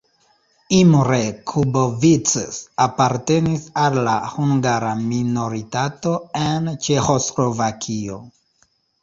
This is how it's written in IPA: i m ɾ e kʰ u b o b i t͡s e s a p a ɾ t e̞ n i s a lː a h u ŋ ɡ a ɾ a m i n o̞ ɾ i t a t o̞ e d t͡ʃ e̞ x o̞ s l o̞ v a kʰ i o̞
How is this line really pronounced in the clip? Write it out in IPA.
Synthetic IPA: i m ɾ e kʰ u b o v i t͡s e s a p a ɾ t e̞ n i s a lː a h u ŋ ɡ a ɾ a m i n o̞ ɾ i t a t o̞ e n t͡ʃ e̞ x o̞ s l o̞ v a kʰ i o̞